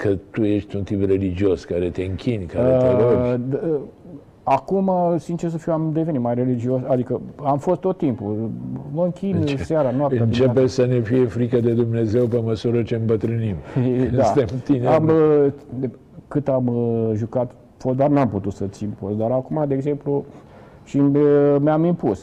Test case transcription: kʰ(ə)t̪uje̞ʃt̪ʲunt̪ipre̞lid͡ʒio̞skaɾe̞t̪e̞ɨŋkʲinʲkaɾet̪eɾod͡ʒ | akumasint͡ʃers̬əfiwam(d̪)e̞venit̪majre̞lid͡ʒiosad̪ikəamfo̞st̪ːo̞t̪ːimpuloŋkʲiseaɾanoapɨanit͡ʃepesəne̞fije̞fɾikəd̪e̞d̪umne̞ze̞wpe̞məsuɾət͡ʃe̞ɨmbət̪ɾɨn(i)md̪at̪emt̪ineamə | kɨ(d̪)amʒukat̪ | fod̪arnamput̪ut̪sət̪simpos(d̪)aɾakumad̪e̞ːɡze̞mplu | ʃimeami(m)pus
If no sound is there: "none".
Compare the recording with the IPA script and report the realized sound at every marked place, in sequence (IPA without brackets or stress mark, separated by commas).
ə, d̪, i, t̪, d̪, m